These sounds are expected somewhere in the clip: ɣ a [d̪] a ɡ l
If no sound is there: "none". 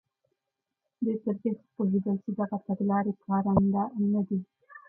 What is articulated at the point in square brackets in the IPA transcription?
t̪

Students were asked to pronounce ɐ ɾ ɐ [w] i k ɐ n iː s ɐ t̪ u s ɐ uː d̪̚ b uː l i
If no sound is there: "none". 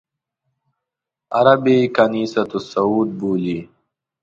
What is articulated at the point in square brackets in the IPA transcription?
b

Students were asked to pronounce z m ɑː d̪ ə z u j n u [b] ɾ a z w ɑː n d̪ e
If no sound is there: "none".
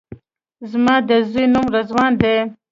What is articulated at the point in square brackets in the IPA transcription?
m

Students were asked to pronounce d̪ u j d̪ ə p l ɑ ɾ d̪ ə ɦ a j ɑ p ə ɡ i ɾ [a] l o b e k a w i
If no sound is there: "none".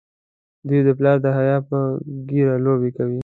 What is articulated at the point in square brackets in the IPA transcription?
a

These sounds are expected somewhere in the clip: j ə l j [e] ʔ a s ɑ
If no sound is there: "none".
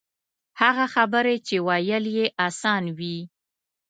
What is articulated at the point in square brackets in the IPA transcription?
e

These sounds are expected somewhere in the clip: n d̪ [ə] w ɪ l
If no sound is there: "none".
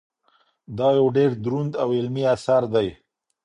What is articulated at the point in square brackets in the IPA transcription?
a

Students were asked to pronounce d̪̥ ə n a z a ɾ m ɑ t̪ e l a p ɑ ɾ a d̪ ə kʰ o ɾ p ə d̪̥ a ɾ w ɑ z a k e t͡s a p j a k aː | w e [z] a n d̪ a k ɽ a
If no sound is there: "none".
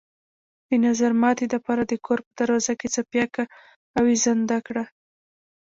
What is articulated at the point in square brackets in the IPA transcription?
z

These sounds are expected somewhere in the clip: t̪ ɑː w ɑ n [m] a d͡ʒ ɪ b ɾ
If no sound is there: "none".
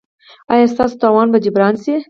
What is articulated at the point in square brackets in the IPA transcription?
b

